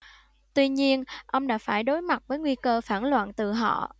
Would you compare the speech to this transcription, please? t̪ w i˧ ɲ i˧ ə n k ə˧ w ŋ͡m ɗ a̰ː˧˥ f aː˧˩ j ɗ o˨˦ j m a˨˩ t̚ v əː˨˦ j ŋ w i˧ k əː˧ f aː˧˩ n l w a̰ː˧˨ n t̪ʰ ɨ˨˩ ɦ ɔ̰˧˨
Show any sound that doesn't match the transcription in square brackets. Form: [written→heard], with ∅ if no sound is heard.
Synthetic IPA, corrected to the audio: t̪ w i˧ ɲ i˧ ə n [k→ʔ] ə˧ w ŋ͡m ɗ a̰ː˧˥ f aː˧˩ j ɗ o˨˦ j m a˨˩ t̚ v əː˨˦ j ŋ w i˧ k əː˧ f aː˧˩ n l w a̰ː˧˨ n [t̪ʰ→t̪] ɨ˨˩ ɦ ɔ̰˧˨